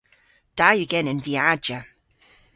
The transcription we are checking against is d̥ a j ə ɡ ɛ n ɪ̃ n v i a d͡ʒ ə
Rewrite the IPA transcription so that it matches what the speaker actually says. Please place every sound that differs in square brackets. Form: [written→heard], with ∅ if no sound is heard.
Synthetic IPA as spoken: d̥ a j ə ɡ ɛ n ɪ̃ n v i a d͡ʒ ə